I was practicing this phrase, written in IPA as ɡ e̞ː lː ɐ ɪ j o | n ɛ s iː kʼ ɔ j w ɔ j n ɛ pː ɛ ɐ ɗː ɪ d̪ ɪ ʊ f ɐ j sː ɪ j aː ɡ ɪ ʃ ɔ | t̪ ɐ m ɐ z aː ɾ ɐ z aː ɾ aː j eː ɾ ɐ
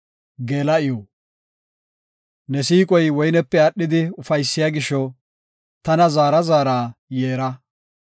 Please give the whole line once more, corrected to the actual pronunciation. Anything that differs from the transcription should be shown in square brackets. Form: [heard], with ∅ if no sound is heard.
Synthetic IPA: ɡ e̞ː [l] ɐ ɪ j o | n ɛ s iː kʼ ɔ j w ɔ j n ɛ pː ɛ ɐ ɗː ɪ d̪ ɪ ʊ f ɐ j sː ɪ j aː ɡ ɪ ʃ ɔ | t̪ ɐ [n] ɐ z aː ɾ ɐ z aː ɾ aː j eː ɾ ɐ